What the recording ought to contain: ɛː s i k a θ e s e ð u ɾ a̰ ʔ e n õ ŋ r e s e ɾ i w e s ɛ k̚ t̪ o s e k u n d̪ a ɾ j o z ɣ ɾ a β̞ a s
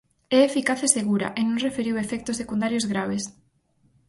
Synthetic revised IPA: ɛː f i k a θ e s e ɣ u ɾ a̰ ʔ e n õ ŋ r e f e ɾ i w e f ɛ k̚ t̪ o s e k u n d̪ a ɾ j o z ɣ ɾ a β̞ e s